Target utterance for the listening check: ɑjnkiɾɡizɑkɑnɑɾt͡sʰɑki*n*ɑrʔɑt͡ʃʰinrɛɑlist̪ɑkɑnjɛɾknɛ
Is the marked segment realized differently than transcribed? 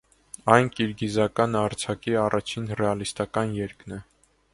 yes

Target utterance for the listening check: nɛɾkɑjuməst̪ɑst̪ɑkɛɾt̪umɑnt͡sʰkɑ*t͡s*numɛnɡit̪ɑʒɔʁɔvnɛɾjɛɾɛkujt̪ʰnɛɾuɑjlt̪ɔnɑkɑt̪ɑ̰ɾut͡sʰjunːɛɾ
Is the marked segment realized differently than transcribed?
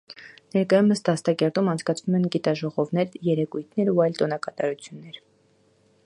yes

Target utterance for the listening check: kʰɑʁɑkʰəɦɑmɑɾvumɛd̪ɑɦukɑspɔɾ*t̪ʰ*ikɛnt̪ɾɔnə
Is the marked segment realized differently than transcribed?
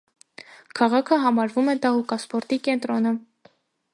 yes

